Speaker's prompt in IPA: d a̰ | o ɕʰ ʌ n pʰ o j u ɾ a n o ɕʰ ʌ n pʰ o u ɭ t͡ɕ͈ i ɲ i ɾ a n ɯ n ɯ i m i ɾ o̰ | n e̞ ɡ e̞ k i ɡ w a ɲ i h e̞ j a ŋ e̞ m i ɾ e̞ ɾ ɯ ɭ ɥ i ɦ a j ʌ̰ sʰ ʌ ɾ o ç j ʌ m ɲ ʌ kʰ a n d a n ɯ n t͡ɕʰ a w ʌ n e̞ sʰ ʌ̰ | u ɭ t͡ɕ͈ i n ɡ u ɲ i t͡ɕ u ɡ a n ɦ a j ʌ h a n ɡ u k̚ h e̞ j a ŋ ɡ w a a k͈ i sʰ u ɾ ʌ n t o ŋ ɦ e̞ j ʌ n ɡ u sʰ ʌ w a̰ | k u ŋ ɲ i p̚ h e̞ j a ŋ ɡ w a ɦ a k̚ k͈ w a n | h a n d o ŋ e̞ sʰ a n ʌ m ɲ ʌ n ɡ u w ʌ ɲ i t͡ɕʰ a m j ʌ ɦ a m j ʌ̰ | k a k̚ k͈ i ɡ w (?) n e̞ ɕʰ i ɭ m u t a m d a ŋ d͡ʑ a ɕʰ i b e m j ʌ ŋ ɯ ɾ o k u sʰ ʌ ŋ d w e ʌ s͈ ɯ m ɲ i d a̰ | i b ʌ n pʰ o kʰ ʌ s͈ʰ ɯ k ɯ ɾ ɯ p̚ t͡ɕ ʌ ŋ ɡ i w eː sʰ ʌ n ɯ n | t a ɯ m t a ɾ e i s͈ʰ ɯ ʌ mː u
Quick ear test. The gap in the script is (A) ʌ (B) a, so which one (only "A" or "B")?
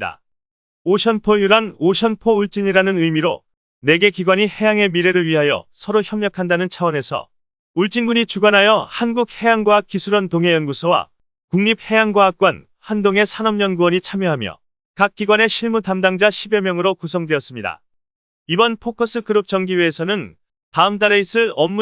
B